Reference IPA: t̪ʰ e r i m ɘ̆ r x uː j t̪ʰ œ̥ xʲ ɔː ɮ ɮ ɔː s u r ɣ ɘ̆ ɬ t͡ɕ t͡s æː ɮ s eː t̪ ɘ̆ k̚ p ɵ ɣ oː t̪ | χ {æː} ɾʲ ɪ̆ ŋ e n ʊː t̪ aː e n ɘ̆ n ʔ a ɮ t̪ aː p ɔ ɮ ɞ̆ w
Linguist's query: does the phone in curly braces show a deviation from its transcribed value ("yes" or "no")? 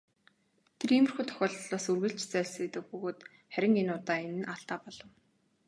yes